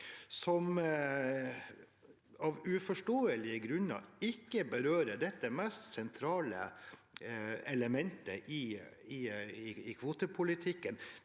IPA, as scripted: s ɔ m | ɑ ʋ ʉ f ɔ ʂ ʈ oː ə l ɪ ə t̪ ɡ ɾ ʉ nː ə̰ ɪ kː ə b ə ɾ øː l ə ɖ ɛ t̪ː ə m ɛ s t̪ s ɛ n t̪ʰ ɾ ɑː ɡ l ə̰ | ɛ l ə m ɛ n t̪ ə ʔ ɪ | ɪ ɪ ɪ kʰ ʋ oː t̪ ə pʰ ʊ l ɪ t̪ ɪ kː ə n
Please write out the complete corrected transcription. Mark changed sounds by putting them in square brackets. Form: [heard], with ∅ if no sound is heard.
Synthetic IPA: s ɔ m | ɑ ʋ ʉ f ɔ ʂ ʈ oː ə l ɪ ə [∅] ɡ ɾ ʉ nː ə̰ ɪ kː ə b ə ɾ øː [ɾ] ə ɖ ɛ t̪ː ə m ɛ s t̪ s ɛ n t̪ʰ ɾ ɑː [∅] l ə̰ | ɛ l ə m ɛ n t̪ ə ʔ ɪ | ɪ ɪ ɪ kʰ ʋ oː t̪ ə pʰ ʊ l ɪ [t̪ʰ] ɪ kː ə n